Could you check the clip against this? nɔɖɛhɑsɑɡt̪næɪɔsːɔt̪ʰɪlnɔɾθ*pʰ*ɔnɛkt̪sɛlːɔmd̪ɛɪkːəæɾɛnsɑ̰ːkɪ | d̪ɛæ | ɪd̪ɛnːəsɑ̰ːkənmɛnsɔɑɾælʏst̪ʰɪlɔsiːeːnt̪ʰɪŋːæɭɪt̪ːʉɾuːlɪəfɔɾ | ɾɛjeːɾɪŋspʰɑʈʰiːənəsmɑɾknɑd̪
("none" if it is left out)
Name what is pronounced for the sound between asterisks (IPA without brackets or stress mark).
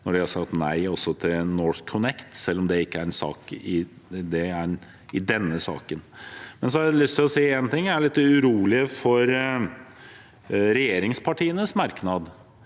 kʰ